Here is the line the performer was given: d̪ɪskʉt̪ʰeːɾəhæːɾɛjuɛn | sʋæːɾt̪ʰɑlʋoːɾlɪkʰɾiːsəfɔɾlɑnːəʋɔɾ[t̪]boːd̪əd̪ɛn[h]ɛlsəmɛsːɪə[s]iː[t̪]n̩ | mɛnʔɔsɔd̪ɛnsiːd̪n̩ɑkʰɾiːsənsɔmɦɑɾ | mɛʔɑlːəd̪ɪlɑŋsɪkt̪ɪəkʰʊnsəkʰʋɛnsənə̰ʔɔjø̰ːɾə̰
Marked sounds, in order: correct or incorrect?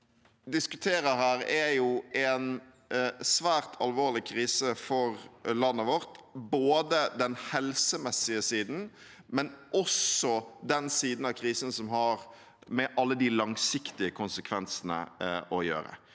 correct, correct, correct, incorrect: d̪

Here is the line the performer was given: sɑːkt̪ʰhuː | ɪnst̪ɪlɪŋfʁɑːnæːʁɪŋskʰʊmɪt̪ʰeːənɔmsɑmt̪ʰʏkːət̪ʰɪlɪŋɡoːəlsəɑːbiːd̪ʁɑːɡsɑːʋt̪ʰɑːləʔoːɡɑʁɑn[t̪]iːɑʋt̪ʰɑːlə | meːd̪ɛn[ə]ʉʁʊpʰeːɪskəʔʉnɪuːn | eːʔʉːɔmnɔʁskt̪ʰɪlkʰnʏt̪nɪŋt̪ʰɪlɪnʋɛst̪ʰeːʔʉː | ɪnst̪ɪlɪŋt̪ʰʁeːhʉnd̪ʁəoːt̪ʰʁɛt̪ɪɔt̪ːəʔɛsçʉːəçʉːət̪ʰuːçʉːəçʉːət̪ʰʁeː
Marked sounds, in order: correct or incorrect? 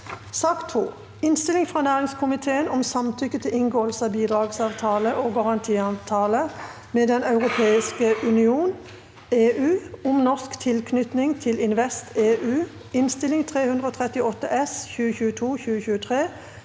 incorrect: t̪ʰ, incorrect: ɑ

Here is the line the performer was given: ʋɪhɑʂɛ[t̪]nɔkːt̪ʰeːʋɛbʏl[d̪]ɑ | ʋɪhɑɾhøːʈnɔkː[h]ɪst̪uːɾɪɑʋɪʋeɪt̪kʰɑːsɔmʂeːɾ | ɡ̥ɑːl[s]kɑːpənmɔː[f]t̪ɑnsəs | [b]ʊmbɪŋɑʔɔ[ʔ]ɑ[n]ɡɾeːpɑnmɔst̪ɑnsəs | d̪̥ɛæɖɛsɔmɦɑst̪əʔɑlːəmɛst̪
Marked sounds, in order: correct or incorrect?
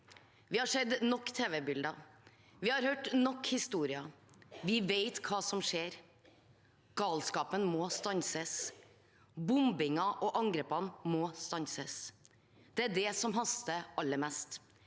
incorrect: d̪, correct, correct, correct, incorrect: s, correct, correct, incorrect: ŋ

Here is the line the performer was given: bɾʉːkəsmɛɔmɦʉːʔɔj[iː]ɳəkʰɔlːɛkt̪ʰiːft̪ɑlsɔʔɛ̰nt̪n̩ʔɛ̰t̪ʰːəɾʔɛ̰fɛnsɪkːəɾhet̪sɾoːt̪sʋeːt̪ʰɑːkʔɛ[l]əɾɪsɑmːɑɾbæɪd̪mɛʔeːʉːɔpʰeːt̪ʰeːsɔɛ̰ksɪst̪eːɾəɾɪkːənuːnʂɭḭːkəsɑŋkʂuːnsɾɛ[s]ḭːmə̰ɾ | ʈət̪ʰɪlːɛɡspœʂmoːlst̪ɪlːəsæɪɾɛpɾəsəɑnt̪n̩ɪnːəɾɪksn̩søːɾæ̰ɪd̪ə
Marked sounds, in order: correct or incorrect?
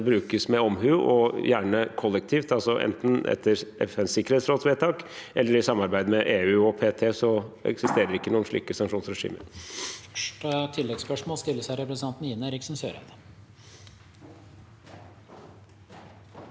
incorrect: æː, incorrect: lː, incorrect: ʂ

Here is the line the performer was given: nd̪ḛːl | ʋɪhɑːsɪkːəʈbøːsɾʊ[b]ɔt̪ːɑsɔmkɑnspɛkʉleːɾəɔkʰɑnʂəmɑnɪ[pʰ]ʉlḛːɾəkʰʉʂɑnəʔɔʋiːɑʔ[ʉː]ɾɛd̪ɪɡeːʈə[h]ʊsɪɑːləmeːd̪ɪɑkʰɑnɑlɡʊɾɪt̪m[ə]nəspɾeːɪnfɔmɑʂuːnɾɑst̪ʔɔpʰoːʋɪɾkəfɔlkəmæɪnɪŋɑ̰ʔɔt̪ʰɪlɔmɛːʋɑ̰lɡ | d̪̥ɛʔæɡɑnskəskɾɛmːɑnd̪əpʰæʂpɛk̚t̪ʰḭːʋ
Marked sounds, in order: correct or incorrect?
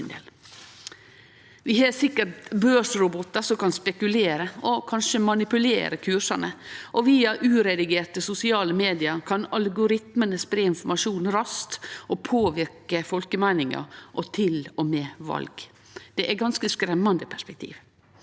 correct, incorrect: p, correct, incorrect: s, correct

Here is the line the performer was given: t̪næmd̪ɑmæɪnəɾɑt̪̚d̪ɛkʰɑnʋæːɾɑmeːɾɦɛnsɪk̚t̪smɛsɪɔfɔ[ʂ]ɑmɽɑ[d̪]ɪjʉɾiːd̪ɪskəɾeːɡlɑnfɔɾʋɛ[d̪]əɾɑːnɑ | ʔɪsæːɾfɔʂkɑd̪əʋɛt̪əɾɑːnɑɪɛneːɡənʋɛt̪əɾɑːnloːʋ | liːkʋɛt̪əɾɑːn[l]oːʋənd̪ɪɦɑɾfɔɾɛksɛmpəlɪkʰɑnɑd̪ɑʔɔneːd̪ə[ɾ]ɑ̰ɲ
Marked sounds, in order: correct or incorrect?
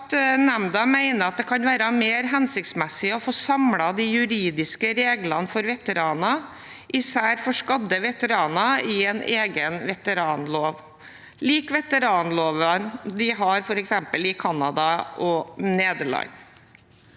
incorrect: s, correct, incorrect: t̪, correct, incorrect: ɭ

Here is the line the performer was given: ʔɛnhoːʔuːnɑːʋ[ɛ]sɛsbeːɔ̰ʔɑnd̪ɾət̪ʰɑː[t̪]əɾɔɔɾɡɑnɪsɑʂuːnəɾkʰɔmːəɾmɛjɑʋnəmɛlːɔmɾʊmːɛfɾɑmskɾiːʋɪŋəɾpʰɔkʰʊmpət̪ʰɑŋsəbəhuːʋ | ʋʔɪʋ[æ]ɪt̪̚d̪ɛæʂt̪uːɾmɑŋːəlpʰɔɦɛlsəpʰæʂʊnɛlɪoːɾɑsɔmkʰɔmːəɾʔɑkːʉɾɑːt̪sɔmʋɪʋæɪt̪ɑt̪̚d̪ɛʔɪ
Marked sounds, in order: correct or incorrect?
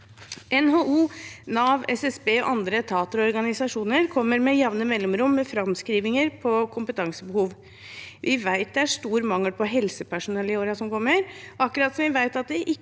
correct, correct, correct

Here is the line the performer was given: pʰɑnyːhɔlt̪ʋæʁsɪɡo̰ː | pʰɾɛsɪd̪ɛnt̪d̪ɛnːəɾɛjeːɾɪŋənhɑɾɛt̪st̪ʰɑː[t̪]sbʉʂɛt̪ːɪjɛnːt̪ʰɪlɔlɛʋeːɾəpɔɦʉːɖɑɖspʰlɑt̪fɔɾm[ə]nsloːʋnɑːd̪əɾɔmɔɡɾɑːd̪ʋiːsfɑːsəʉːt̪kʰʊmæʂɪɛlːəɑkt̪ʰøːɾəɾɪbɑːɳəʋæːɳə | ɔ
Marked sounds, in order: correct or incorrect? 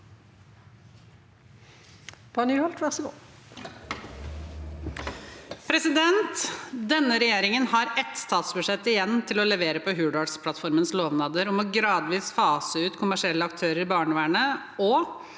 correct, correct

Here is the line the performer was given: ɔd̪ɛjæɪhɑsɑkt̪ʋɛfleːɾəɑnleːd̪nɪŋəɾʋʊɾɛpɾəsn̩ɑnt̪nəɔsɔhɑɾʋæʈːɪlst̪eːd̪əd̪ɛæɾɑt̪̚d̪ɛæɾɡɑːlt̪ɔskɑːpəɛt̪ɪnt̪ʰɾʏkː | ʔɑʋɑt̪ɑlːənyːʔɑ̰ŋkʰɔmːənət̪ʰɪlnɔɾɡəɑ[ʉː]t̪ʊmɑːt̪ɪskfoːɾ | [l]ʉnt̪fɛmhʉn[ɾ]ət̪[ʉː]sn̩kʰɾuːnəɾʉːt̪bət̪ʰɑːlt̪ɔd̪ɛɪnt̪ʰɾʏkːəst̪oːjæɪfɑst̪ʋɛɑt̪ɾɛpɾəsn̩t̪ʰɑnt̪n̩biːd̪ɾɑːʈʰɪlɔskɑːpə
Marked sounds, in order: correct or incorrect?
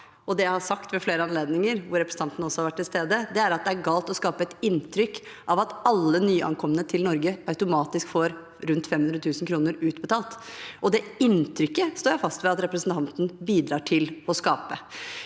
incorrect: ʉ, incorrect: ɾ, correct, correct

